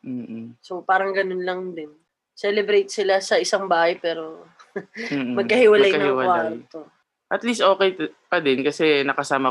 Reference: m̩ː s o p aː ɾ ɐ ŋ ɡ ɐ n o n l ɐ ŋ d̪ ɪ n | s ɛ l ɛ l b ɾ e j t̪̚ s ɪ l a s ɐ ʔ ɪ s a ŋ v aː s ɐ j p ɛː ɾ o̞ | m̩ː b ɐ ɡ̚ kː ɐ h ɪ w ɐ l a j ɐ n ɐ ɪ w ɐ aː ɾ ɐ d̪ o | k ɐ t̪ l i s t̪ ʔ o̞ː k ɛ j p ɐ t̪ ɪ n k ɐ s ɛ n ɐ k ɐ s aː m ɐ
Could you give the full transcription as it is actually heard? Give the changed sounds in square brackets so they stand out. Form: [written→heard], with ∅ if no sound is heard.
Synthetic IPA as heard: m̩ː s o p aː ɾ ɐ ŋ ɡ ɐ n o n l ɐ ŋ d̪ ɪ n | s ɛ l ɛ [l→∅] b ɾ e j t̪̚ s ɪ l a s ɐ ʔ ɪ s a ŋ [v→b] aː [s→h] ɐ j p ɛː ɾ o̞ | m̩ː [b→m] ɐ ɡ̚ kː ɐ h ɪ w ɐ l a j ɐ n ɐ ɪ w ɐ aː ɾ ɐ [d̪→t̪] o | [k→ʔ] ɐ t̪ l i s t̪ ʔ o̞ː k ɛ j p ɐ [t̪→d̪] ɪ n k ɐ s ɛ n ɐ k ɐ s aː m ɐ